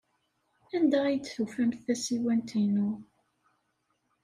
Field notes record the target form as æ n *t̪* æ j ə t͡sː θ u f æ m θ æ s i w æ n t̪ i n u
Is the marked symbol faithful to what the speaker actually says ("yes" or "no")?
no